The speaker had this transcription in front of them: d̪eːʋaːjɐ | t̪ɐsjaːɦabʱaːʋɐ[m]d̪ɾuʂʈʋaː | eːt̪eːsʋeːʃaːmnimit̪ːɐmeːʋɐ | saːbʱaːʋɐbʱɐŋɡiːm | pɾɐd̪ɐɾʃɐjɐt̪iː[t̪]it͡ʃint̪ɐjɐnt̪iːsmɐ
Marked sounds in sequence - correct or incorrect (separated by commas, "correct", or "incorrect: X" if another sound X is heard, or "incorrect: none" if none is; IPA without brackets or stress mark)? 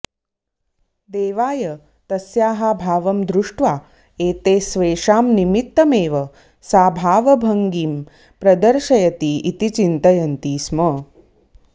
correct, correct